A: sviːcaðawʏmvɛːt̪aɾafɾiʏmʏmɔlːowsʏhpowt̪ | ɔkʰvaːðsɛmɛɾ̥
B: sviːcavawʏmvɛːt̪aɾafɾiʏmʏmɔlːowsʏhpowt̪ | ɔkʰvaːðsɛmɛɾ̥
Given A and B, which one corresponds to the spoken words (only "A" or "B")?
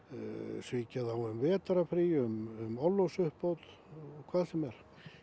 A